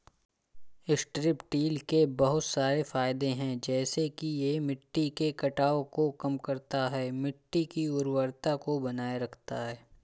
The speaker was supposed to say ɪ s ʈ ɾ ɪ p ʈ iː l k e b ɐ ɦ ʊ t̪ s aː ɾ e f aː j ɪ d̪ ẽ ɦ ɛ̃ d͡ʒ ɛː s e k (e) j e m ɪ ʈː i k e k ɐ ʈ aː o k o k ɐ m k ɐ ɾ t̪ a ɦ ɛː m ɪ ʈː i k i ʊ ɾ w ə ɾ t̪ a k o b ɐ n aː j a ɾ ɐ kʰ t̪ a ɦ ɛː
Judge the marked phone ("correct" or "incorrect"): incorrect